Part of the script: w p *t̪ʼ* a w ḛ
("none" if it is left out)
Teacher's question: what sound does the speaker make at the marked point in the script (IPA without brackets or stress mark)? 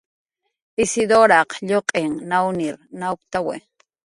t̪